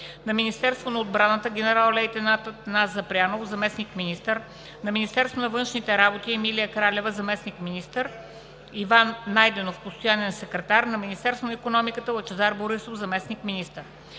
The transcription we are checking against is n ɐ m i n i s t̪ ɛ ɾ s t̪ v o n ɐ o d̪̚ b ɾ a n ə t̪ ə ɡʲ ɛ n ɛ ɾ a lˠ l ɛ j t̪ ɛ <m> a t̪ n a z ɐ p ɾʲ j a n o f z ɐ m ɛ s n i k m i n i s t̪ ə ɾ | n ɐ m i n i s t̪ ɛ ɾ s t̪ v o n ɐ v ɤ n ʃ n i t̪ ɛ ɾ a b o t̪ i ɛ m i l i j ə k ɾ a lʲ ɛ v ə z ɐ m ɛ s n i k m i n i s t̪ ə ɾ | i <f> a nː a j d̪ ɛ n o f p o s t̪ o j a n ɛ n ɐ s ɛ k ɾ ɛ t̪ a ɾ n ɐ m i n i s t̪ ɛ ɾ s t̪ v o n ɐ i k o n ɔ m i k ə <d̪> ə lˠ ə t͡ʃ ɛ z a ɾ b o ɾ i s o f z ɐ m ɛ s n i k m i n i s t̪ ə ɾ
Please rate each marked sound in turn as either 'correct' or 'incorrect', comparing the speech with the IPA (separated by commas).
incorrect, incorrect, incorrect